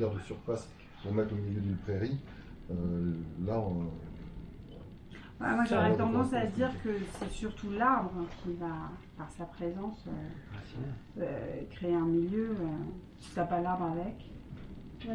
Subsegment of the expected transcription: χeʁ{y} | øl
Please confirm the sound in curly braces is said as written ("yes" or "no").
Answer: no